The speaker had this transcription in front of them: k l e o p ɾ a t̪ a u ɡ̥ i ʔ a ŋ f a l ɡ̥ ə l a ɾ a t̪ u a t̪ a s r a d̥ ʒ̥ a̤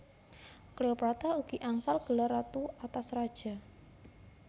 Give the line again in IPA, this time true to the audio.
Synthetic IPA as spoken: k l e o p ɾ a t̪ a u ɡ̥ i ʔ a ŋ s a l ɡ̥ ə l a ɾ a t̪ u a t̪ a s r a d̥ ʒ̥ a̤